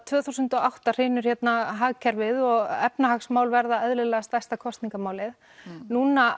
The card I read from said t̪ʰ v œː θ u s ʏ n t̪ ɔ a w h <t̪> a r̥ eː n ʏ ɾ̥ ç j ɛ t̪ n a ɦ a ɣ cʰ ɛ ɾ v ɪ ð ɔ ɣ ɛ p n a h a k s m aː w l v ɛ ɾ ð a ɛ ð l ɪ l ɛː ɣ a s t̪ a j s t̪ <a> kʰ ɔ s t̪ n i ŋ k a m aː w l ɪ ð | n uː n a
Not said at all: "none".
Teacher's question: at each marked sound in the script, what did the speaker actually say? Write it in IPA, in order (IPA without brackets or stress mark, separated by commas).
t̪, a